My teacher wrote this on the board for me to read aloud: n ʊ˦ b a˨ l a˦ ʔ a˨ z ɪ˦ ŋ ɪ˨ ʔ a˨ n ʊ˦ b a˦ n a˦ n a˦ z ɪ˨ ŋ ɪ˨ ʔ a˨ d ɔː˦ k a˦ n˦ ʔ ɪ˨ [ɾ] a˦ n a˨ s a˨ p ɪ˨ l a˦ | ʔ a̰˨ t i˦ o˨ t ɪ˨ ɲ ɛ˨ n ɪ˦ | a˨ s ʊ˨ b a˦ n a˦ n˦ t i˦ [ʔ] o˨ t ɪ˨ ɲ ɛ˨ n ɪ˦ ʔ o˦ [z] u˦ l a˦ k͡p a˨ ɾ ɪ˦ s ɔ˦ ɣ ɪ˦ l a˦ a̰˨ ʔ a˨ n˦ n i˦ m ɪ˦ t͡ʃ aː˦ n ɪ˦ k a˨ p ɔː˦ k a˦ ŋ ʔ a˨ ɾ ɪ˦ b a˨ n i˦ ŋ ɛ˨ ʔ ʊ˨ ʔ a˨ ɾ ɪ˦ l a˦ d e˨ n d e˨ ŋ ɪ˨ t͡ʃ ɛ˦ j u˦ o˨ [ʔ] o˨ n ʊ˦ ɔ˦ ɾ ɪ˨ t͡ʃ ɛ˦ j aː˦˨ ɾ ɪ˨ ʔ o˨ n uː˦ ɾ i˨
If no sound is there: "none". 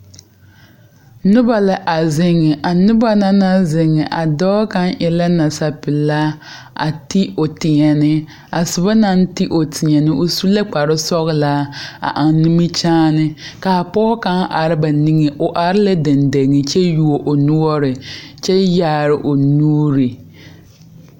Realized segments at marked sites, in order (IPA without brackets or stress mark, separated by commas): l, ʔ, s, ʔ